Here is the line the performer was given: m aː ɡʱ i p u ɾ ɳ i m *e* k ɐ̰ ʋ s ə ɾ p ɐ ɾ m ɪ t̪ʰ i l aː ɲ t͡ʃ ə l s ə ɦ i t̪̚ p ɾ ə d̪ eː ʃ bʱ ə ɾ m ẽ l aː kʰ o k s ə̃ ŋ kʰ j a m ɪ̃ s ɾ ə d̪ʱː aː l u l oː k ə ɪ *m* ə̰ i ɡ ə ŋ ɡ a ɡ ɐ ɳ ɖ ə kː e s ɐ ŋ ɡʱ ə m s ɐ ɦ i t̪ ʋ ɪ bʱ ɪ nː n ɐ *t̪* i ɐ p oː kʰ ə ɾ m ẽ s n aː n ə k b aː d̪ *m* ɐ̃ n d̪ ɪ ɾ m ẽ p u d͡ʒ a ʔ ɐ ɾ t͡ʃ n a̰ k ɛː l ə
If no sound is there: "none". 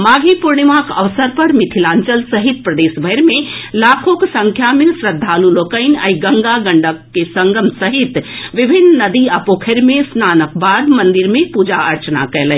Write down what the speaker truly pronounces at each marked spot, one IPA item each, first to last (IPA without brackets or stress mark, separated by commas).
a, n, d̪, m